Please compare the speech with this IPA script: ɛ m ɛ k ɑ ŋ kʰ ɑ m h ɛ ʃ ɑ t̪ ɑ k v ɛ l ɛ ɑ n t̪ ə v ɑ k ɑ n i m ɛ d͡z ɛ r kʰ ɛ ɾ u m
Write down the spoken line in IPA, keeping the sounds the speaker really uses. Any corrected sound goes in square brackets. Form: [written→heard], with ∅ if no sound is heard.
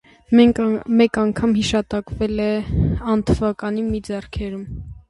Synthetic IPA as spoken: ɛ m ɛ k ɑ ŋ kʰ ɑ m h [ɛ→i] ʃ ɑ t̪ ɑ k v ɛ l ɛ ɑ n [t̪→t̪ʰ] ə v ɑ k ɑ n i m [ɛ→i] d͡z ɛ r kʰ ɛ ɾ u m